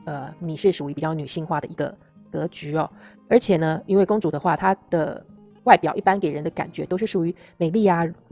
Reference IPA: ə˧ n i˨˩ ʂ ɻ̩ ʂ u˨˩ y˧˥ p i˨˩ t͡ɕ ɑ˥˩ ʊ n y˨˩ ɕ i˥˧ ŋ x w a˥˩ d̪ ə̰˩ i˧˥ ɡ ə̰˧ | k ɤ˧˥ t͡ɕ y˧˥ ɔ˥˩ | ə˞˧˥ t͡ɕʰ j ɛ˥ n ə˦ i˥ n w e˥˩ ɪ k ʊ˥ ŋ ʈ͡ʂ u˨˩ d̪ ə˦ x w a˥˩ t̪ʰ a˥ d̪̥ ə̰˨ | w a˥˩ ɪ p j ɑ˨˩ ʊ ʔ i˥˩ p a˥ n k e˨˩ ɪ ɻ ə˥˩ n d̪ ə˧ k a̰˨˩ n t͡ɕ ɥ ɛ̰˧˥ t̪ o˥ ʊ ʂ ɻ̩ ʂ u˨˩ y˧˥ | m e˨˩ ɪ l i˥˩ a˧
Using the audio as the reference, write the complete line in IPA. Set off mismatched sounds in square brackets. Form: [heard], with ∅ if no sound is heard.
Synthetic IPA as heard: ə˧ n i˨˩ ʂ ɻ̩ ʂ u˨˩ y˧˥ p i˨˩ t͡ɕ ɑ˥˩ ʊ n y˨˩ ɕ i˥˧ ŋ x w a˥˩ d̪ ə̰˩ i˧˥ ɡ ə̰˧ | k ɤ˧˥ t͡ɕ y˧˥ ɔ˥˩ | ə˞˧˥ t͡ɕʰ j [ɛ˨˩] n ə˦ i˥ n w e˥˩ ɪ k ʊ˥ ŋ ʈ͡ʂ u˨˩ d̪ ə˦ x w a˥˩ t̪ʰ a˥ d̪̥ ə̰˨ | w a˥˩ ɪ p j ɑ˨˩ ʊ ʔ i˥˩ p a˥ n k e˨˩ ɪ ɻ [ə˧˥] n d̪ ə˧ k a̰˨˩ n t͡ɕ ɥ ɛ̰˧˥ t̪ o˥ ʊ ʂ ɻ̩ ʂ u˨˩ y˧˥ | m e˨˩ ɪ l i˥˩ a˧

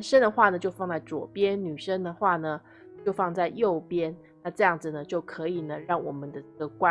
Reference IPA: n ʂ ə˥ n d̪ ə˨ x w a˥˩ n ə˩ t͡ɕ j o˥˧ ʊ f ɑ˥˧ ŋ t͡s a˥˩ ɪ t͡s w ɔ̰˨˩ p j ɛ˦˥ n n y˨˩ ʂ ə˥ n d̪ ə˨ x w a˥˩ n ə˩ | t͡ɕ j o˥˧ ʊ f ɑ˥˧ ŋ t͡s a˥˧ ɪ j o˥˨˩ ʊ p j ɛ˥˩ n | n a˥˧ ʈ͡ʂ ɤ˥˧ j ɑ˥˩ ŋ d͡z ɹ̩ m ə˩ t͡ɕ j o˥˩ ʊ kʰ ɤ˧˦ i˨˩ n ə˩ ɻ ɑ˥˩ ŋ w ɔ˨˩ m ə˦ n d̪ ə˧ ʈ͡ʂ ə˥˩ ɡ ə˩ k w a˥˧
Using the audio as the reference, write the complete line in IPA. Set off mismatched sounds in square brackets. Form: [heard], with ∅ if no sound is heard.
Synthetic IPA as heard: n ʂ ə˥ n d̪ ə˨ x w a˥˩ n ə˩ t͡ɕ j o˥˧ ʊ f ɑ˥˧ ŋ t͡s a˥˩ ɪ t͡s w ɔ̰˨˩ p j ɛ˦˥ n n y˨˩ ʂ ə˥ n d̪ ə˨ x w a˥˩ n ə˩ | t͡ɕ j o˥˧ ʊ f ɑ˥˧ ŋ t͡s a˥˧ ɪ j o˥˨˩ ʊ p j [ɛ˥] n | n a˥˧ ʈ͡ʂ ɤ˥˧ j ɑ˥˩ ŋ d͡z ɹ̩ [n] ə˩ t͡ɕ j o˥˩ ʊ kʰ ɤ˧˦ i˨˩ n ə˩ ɻ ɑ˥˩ ŋ w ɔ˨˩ m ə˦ n d̪ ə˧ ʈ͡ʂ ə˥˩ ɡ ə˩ k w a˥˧

